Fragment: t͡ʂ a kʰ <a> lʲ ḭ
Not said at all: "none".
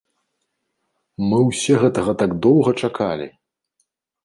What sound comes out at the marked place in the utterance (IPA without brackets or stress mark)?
a